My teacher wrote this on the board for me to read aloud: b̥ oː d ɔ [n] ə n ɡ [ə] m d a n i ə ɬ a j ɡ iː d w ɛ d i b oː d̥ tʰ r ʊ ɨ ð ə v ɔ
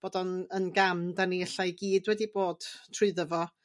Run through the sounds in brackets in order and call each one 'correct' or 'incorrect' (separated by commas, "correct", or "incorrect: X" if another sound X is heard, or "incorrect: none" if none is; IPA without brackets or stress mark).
correct, incorrect: a